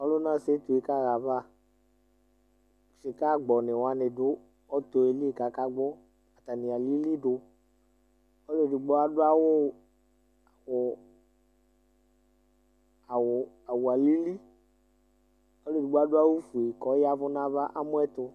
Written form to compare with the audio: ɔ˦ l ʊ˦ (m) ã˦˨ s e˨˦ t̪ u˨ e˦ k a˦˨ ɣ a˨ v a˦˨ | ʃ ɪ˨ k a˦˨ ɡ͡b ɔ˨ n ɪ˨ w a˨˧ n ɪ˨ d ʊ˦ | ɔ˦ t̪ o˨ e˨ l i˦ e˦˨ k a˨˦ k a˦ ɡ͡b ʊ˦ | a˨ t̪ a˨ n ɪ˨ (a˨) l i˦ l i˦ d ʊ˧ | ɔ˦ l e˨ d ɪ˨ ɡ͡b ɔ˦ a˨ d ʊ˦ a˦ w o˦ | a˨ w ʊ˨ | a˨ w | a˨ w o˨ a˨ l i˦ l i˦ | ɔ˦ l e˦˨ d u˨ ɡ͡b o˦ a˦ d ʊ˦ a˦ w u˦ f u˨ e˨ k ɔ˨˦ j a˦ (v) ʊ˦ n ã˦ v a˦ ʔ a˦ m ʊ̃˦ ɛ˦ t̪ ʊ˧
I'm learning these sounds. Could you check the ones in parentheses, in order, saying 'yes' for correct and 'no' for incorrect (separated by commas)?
no, yes, yes